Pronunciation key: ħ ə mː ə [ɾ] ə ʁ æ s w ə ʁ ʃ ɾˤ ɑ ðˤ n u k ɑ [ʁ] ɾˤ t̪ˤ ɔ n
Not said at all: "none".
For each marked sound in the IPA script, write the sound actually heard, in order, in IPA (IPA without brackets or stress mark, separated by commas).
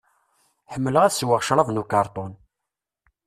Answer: l, none